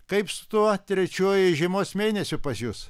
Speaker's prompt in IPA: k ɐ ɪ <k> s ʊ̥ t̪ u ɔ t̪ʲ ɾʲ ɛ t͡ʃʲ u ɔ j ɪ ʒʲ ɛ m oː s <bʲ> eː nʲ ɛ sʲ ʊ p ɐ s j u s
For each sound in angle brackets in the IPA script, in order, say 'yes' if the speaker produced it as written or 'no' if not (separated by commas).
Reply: no, no